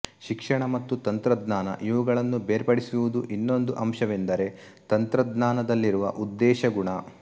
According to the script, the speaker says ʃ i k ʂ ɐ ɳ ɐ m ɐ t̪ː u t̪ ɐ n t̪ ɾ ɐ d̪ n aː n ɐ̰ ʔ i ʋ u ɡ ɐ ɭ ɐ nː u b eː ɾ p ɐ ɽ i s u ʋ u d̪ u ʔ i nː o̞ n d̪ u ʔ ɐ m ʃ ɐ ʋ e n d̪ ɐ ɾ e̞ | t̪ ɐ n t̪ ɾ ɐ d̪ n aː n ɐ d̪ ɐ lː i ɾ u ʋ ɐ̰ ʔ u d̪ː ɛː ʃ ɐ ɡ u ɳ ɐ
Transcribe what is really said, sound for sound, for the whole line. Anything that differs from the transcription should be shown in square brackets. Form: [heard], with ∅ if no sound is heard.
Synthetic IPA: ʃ i k ʂ ɐ ɳ ɐ m ɐ t̪ː u t̪ ɐ n t̪ ɾ ɐ d̪ n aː n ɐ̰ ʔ i ʋ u ɡ ɐ ɭ ɐ nː u b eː ɾ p ɐ ɽ i s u ʋ u d̪ u ʔ i nː o̞ n d̪ u ʔ ɐ m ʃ ɐ ʋ e n d̪ ɐ ɾ e̞ | t̪ ɐ n t̪ ɾ ɐ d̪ n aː n ɐ d̪ ɐ lː i ɾ u ʋ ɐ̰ ʔ u d̪ː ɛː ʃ ɐ ɡ u ɳ ɐ